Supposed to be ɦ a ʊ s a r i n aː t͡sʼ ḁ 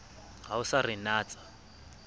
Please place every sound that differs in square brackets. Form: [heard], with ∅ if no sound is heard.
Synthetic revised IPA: ɦ a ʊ s a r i n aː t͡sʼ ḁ